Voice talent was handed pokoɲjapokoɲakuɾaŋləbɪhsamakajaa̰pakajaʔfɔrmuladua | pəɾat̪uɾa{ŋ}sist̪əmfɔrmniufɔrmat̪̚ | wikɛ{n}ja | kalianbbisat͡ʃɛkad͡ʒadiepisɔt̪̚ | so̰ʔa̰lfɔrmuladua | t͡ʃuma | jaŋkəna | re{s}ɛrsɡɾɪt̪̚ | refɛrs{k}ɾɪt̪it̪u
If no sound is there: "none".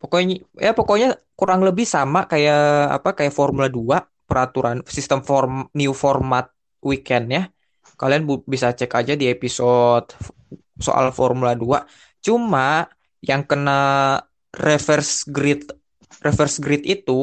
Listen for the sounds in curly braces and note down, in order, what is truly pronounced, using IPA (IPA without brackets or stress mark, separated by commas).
n, n, f, ɡ